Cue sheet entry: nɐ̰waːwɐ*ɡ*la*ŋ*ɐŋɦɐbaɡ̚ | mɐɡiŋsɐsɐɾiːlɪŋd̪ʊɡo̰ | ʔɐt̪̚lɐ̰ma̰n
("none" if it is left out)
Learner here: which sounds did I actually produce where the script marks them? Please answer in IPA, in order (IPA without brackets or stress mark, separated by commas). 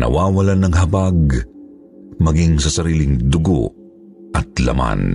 none, n